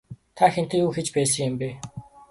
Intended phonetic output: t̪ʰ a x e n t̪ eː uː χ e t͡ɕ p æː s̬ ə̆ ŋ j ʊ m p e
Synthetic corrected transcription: t̪ʰ a x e n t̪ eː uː x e t͡ɕ p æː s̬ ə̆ ŋ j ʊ m p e